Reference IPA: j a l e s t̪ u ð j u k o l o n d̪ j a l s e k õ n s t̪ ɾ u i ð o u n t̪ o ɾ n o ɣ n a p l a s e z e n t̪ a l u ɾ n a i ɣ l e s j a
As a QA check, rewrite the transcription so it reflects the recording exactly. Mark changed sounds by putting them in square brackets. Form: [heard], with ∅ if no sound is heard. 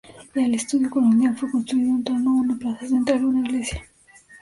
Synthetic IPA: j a l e s t̪ u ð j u k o l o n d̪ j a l [f] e k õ n s t̪ ɾ u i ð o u n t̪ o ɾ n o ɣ n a p l a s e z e n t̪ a l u [∅] n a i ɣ l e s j a